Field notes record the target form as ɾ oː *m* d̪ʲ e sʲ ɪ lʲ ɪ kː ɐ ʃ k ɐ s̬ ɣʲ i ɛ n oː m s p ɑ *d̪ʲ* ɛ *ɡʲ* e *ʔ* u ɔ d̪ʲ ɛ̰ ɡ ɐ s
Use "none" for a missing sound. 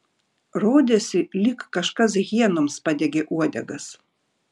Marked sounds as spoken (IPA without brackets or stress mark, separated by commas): none, d̪ʲ, ɡʲ, ʔ